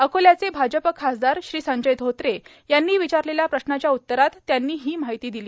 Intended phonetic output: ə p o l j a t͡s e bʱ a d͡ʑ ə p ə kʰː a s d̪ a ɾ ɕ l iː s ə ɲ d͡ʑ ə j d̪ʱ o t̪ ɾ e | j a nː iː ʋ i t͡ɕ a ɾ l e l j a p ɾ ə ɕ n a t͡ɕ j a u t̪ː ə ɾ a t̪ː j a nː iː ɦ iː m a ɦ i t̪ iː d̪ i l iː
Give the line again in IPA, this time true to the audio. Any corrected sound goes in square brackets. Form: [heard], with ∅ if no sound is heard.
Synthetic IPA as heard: ə [k] o l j a t͡s e bʱ a d͡ʑ ə p ə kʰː a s d̪ a ɾ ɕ [ɾ] iː s ə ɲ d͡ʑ ə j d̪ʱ o t̪ ɾ e | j a nː iː ʋ i t͡ɕ a ɾ l e l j a p ɾ ə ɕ n a t͡ɕ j a u t̪ː ə ɾ a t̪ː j a nː iː ɦ iː m a ɦ i t̪ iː d̪ i l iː